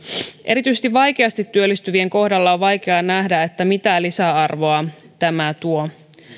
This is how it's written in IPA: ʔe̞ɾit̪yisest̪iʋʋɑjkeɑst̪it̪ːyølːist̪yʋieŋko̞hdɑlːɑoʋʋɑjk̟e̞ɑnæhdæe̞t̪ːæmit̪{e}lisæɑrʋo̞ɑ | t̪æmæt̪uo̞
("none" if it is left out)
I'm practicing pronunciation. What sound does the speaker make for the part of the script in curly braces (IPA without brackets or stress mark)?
æ